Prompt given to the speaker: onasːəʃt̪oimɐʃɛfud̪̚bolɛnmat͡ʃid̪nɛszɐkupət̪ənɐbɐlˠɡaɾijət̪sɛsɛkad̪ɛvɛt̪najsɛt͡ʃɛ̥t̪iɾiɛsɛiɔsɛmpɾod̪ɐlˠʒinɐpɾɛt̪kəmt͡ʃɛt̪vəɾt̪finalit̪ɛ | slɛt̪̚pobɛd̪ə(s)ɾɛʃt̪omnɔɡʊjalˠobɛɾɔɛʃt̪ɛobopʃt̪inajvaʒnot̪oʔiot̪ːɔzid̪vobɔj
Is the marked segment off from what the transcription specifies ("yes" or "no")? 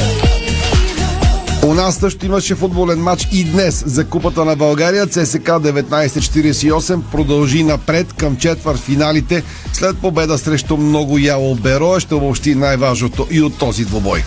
no